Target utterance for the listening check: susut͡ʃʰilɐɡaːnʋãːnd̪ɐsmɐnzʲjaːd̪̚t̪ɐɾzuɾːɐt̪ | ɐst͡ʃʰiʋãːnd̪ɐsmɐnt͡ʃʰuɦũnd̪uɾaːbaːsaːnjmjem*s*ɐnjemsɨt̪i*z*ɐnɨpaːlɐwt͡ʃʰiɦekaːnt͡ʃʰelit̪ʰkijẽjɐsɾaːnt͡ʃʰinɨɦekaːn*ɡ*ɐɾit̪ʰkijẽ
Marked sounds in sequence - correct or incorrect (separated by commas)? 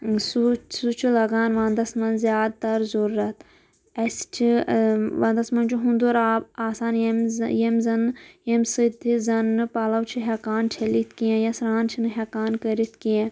incorrect, correct, incorrect